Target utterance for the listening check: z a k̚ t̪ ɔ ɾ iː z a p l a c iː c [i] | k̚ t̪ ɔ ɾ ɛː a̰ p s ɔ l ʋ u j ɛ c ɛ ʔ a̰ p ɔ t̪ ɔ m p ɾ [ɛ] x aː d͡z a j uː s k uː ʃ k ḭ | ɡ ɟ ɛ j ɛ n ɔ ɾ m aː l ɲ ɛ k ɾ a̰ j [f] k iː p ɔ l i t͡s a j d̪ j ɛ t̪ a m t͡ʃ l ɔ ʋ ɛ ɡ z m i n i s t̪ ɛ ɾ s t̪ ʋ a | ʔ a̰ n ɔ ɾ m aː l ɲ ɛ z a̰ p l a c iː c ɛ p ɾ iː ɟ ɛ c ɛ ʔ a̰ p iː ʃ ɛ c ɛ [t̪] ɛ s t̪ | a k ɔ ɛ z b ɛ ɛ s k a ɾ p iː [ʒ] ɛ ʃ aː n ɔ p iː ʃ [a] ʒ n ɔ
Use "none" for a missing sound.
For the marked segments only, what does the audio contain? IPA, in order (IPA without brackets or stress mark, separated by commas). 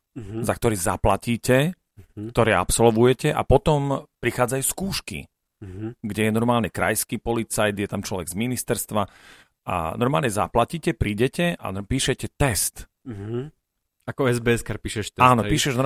ɛ, i, s, t̪, ʃ, ɛ